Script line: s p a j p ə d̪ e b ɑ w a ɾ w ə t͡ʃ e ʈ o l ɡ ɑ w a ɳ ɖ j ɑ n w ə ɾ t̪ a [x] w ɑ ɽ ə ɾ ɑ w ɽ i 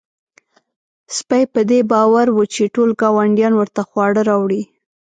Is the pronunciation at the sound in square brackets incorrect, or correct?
correct